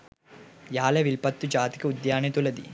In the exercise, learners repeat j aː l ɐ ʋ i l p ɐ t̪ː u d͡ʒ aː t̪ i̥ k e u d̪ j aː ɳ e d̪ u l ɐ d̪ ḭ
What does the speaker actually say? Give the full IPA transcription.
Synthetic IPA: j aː l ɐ ʋ i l p ɐ t̪ː u d͡ʒ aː t̪ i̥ k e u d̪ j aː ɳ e t̪ u l ɐ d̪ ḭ